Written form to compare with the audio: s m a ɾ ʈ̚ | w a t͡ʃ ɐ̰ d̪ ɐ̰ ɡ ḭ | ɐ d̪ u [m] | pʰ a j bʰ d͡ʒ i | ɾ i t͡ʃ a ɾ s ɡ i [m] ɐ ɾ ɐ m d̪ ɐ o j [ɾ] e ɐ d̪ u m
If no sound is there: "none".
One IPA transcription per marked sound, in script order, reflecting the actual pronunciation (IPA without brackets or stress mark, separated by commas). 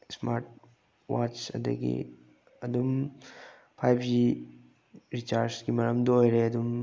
m, m, ɾ